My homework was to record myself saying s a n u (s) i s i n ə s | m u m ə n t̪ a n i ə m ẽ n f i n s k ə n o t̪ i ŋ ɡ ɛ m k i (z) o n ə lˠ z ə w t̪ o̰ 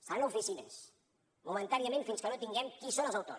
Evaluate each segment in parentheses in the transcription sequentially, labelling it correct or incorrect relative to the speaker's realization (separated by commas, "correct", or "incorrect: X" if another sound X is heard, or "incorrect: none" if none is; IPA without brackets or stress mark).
incorrect: f, incorrect: s